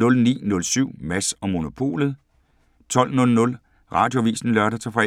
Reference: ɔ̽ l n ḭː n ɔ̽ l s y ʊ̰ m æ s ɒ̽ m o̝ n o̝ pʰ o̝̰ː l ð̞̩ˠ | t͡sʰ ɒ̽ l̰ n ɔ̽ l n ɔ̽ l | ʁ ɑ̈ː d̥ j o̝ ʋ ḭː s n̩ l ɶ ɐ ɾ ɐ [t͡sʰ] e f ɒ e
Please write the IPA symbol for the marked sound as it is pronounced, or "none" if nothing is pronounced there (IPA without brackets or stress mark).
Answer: t͡sʰ